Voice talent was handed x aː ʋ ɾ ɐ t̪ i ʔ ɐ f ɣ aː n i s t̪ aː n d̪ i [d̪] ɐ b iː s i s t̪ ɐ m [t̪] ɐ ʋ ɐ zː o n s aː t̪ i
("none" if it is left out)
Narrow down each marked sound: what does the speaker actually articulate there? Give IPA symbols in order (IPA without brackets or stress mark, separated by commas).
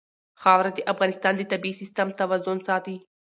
t̪, t̪